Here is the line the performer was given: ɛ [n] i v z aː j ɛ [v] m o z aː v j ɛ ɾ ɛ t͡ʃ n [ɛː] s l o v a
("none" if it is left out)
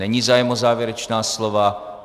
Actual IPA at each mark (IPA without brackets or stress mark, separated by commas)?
ɲ, none, aː